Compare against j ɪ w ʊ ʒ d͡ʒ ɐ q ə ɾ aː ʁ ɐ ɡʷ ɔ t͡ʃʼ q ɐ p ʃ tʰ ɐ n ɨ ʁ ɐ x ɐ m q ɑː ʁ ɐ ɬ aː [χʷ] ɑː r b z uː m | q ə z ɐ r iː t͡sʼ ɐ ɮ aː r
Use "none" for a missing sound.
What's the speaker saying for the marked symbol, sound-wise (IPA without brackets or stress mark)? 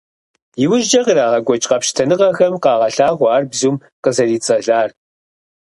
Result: ʁʷ